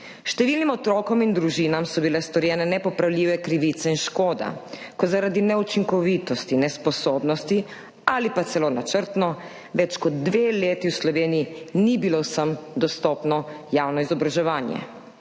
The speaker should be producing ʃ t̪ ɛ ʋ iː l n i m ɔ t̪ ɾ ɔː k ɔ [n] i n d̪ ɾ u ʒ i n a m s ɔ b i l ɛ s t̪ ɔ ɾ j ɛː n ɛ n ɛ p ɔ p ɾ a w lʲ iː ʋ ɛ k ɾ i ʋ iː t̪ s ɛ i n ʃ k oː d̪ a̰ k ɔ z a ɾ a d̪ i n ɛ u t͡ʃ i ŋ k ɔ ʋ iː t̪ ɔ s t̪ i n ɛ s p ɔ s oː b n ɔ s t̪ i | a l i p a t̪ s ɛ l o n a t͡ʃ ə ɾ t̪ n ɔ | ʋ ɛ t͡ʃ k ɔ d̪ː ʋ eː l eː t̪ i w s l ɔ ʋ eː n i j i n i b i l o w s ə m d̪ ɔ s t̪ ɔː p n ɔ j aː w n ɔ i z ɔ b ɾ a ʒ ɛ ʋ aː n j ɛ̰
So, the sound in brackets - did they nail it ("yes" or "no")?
no